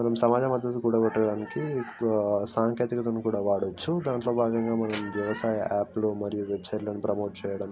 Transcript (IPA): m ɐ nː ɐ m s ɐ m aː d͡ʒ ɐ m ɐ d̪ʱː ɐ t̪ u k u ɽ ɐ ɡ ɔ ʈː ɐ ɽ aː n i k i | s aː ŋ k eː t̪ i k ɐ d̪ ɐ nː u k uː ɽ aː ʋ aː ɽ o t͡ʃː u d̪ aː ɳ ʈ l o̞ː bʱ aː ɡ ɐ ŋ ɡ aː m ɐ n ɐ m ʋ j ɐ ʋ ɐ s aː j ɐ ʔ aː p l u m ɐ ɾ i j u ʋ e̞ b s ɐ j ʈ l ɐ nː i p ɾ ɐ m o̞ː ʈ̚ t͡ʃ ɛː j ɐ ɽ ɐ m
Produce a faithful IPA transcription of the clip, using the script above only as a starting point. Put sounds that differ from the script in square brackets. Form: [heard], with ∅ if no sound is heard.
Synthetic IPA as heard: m ɐ [n] ɐ m s ɐ m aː d͡ʒ ɐ m ɐ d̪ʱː ɐ t̪ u k u ɽ ɐ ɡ ɔ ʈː ɐ ɽ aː n i k i | s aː ŋ k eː t̪ i k ɐ [t̪] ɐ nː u k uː ɽ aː ʋ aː ɽ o t͡ʃː u d̪ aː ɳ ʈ l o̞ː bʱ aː ɡ ɐ ŋ ɡ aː m ɐ n ɐ m ʋ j ɐ ʋ ɐ s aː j ɐ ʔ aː p l u m ɐ ɾ i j u ʋ e̞ b s ɐ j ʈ l ɐ [n] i p ɾ ɐ m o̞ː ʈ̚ t͡ʃ ɛː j ɐ ɽ ɐ m